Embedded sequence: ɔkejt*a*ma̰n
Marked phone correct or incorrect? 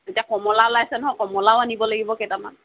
correct